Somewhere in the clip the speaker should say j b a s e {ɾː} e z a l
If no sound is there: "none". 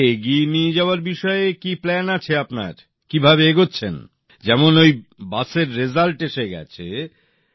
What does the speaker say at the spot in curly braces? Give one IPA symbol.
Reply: ɾː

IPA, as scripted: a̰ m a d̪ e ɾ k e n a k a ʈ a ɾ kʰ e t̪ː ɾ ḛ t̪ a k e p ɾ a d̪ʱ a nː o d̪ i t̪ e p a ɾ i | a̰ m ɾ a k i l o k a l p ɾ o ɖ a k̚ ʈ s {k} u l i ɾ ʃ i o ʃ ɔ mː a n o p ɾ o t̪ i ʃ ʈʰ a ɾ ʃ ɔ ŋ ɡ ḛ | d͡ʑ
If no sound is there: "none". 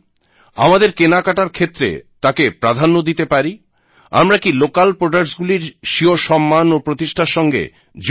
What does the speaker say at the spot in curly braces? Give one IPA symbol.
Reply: ɡ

